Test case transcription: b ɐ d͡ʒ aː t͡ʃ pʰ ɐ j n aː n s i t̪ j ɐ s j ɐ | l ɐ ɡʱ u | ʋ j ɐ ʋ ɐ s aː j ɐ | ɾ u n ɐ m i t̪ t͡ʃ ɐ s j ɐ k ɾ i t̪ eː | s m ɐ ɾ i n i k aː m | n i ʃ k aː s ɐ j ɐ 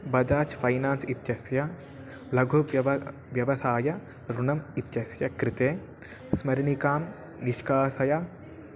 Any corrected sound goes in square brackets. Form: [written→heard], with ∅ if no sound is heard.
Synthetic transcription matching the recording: b ɐ d͡ʒ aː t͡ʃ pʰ ɐ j n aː n s i t̪ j ɐ s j ɐ | l ɐ ɡʱ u | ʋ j ɐ ʋ ɐ s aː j ɐ | ɾ u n ɐ m i t̪ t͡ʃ ɐ s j ɐ k ɾ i t̪ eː | s m ɐ ɾ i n i k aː m | n i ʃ k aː s ɐ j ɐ